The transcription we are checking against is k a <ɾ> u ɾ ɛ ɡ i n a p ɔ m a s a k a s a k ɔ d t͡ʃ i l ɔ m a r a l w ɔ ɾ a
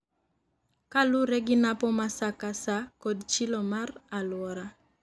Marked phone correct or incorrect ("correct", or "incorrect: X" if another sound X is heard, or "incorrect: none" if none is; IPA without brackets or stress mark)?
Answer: incorrect: l